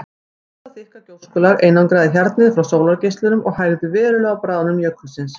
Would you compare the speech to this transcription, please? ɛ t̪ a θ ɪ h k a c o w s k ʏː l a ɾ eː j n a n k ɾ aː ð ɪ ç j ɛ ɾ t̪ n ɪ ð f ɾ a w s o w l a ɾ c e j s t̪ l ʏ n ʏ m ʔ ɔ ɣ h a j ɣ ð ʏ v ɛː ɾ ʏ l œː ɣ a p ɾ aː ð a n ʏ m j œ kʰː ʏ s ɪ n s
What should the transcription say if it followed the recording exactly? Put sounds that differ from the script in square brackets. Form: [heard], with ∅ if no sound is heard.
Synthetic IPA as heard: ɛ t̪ a θ ɪ h k a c o w s k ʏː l a ɾ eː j n a n k ɾ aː ð ɪ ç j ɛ ɾ t̪ n ɪ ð f ɾ a w s o w l a ɾ c e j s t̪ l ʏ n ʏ m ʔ ɔ ɣ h a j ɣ ð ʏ v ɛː ɾ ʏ l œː ɣ a p ɾ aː ð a n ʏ m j œ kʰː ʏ s ɪ n s